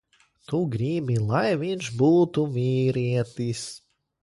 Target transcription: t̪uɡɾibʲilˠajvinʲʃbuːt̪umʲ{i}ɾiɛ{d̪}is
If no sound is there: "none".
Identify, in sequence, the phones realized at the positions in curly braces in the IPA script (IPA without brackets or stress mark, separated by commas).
iː, t̪